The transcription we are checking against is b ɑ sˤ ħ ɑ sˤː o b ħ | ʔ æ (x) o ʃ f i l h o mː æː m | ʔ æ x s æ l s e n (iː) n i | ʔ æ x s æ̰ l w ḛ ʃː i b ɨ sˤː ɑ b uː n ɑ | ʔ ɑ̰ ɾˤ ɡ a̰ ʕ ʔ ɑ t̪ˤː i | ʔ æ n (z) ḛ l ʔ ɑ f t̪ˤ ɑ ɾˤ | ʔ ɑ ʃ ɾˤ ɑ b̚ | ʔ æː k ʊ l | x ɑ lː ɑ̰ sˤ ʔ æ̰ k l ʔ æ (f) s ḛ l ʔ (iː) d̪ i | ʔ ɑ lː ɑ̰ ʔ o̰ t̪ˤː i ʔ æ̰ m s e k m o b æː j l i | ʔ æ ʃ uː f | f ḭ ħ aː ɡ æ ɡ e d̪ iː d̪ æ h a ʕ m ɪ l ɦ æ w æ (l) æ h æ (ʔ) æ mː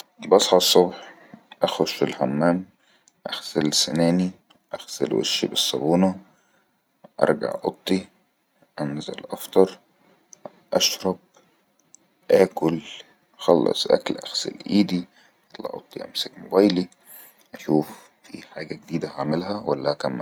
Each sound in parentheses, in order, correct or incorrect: correct, incorrect, correct, incorrect, correct, incorrect, incorrect

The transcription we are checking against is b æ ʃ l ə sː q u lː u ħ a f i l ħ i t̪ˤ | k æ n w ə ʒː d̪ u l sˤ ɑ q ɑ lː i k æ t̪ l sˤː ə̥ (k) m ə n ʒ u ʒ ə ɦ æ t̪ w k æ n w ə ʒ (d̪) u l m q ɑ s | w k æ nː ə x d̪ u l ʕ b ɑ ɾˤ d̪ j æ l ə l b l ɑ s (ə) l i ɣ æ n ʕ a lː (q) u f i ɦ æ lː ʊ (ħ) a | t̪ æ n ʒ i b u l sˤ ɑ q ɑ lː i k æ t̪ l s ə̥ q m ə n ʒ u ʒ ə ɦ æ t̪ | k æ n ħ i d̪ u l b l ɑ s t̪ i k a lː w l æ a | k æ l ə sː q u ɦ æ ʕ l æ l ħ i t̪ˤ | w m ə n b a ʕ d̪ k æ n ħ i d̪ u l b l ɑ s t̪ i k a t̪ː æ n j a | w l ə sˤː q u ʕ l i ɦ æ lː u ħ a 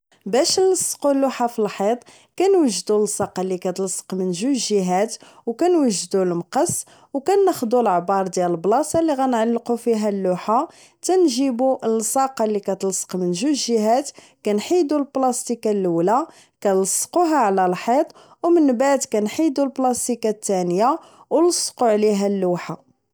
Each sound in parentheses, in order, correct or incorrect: incorrect, correct, incorrect, correct, correct

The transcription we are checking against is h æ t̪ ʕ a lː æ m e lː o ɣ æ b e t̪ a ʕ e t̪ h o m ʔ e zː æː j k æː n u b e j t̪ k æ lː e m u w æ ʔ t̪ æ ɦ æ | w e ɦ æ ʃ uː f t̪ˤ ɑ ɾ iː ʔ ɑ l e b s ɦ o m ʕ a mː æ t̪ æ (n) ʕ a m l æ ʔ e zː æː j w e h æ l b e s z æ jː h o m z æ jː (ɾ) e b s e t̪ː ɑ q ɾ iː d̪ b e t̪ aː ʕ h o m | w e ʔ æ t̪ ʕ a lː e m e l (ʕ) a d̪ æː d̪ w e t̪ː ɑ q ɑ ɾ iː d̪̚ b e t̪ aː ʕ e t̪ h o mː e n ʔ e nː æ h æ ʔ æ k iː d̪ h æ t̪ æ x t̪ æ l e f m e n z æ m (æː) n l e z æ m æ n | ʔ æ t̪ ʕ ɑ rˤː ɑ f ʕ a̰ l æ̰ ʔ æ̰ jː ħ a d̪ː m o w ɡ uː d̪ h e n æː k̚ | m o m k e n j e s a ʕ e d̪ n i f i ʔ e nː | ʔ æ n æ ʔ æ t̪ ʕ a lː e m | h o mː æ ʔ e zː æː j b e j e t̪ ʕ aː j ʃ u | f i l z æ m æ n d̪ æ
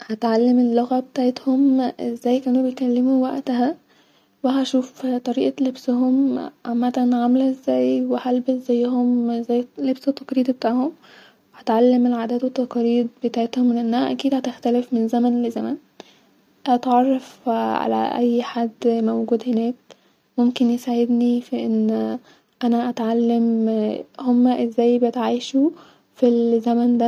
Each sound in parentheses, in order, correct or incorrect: correct, incorrect, correct, incorrect

